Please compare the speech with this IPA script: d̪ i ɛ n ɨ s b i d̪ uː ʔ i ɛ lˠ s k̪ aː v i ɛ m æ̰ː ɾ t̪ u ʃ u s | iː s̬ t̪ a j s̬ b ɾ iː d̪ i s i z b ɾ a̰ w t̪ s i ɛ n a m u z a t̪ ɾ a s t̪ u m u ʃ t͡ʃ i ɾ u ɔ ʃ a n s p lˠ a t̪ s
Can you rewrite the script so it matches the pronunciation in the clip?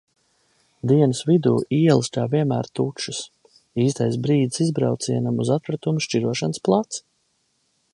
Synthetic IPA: d̪ i ɛ n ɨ s v i d̪ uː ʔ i ɛ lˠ s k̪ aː v i ɛ m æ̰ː ɾ t̪ u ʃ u s | iː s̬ t̪ a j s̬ b ɾ iː d̪ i s i z b ɾ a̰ w t̪ s i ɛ n a m u z a t̪ ɾ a t̪ u m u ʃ t͡ʃ i ɾ u ɔ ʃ a n s p lˠ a t̪ s